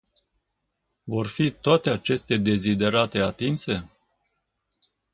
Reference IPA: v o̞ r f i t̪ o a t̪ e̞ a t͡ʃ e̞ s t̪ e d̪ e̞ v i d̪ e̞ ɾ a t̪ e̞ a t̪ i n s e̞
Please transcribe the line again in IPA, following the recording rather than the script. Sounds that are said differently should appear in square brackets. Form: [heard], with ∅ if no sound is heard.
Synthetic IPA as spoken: v o̞ r f i t̪ o a t̪ e̞ a t͡ʃ e̞ s t̪ e d̪ e̞ [z] i d̪ e̞ ɾ a t̪ e̞ a t̪ i n s e̞

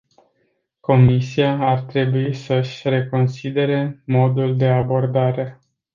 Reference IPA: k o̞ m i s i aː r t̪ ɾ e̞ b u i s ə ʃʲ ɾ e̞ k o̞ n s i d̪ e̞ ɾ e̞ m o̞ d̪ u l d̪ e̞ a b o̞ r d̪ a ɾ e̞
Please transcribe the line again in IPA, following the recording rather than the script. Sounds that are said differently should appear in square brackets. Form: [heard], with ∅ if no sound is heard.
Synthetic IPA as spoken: k o̞ m i s i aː r t̪ ɾ e̞ b u i s ə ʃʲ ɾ e̞ k o̞ n s i d̪ e̞ ɾ e̞ m o̞ d̪ u l d̪ e̞ a b o̞ r d̪ a ɾ e̞

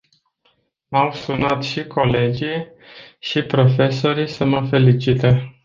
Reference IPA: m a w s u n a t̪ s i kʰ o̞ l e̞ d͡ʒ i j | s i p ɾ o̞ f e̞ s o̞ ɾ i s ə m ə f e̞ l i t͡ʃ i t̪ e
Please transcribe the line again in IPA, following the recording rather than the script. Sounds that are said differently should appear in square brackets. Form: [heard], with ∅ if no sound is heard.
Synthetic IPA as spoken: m a w s u n a t̪ [ʃ] i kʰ o̞ l e̞ d͡ʒ i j | [ʃ] i p ɾ o̞ f e̞ s o̞ ɾ i s ə m ə f e̞ l i t͡ʃ i t̪ e

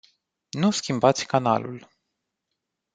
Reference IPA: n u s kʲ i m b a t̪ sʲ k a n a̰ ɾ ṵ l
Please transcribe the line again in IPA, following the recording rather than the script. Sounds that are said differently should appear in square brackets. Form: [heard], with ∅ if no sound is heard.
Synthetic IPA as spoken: n u s kʲ i m b a t̪ sʲ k a n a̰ [l] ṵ l

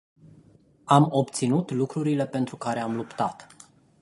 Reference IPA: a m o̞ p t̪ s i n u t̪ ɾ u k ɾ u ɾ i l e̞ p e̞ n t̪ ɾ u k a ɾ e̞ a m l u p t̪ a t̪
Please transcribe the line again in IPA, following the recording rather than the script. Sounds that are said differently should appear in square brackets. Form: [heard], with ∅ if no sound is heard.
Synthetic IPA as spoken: a m o̞ p t̪ s i n u t̪ [l] u k ɾ u ɾ i l e̞ p e̞ n t̪ ɾ u k a ɾ e̞ a m l u p t̪ a t̪

